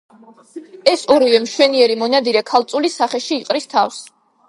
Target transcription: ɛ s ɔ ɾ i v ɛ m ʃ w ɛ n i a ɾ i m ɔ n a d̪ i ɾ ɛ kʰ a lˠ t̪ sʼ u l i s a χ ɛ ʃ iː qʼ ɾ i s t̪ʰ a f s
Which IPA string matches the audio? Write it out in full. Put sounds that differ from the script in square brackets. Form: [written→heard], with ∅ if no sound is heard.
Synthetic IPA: ɛ s ɔ ɾ i v ɛ m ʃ w ɛ n i [a→ɛ] ɾ i m ɔ n a d̪ i ɾ ɛ kʰ a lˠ t̪ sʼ u l i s a χ ɛ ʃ iː qʼ ɾ i s t̪ʰ a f s